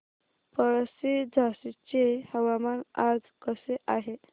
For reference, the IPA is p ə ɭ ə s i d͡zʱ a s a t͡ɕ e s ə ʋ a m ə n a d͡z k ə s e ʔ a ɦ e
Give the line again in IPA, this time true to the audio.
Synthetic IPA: p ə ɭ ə s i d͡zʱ a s i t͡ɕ e h ə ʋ a m a n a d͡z k ə s e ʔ a ɦ e